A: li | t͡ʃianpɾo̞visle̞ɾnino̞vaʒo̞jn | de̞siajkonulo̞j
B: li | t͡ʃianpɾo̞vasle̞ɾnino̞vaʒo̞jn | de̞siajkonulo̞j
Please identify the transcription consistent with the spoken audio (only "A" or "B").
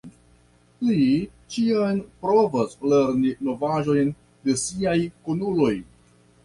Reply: B